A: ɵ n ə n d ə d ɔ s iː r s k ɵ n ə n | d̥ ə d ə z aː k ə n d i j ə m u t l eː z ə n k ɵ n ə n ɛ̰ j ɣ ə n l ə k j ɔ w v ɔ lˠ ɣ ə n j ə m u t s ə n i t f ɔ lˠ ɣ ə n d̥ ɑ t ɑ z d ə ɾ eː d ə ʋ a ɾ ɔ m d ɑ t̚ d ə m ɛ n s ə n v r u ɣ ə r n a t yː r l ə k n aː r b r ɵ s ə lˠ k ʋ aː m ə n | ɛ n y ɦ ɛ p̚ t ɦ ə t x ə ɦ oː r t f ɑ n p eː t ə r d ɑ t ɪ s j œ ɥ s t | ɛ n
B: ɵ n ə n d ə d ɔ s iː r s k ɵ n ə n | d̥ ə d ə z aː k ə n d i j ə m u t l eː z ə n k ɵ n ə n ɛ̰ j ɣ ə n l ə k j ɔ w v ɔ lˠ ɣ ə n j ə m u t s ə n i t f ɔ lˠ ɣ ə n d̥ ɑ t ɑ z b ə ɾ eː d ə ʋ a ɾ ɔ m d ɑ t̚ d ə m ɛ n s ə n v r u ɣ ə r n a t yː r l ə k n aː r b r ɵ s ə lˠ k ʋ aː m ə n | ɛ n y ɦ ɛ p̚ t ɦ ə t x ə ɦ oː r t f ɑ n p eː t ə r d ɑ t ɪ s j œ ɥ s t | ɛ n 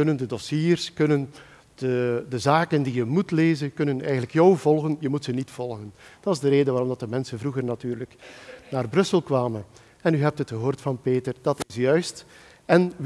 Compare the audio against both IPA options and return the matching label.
A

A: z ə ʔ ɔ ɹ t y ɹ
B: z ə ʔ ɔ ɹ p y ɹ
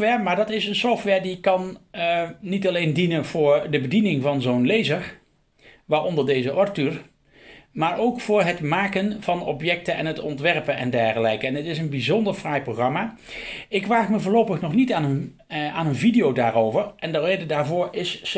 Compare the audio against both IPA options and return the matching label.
A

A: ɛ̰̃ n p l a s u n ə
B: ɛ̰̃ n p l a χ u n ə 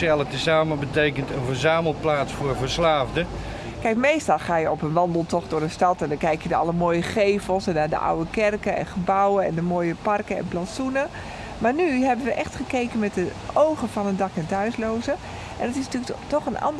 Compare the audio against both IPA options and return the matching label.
A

